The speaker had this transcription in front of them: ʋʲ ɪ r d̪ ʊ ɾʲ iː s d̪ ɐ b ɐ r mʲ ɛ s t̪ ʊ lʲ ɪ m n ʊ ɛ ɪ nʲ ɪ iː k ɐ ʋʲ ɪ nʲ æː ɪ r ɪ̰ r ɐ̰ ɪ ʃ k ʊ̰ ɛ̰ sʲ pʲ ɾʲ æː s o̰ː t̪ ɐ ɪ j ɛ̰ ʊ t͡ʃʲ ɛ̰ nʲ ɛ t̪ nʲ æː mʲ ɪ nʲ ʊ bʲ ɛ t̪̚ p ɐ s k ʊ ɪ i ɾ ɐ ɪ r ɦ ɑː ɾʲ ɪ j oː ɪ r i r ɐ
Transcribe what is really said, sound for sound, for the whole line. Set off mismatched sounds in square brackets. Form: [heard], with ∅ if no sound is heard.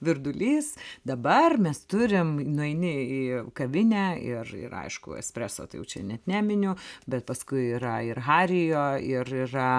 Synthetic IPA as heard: ʋʲ ɪ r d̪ ʊ [lʲ] iː s d̪ ɐ b ɐ r mʲ ɛ s t̪ ʊ [ɾʲ] ɪ m n ʊ ɛ ɪ nʲ ɪ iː k ɐ ʋʲ ɪ nʲ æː ɪ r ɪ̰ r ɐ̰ ɪ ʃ k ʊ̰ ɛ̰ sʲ pʲ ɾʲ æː s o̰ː t̪ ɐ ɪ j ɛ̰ ʊ t͡ʃʲ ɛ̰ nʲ ɛ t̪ nʲ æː mʲ ɪ nʲ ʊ bʲ ɛ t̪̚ p ɐ s k ʊ ɪ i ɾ ɐ ɪ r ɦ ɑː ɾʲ ɪ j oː ɪ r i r ɐ